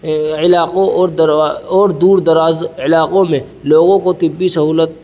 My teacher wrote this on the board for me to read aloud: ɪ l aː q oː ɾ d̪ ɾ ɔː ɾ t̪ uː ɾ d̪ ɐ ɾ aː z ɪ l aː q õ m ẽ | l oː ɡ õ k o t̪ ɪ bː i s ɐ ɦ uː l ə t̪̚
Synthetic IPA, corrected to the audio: ɪ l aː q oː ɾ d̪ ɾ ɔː ɾ d̪ uː ɾ d̪ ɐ ɾ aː z ɪ l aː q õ m ẽ | l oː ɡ õ k o t̪ ɪ bː i s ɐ ɦ uː l ə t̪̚